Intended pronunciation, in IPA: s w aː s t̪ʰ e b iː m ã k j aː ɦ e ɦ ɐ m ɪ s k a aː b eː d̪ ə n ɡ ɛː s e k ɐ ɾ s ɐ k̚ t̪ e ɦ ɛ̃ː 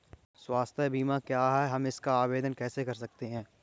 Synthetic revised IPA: s w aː s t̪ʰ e b iː m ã k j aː ɦ ɛ ɦ ɐ m ɪ s k a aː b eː d̪ ə n k ɛː s e k ɐ ɾ s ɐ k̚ t̪ e ɦ ɛ̃ː